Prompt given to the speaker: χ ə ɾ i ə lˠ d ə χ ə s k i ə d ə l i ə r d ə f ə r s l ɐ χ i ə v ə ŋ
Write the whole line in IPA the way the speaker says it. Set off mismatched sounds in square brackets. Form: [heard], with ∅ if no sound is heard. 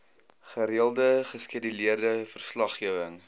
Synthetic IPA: χ ə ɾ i ə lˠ d ə χ ə s k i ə d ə l i ə r d ə f ə r s l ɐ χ i ə v ə ŋ